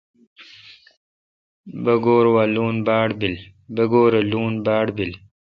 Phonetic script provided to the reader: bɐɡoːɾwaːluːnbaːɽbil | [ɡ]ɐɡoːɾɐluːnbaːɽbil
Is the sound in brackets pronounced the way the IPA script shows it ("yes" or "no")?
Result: no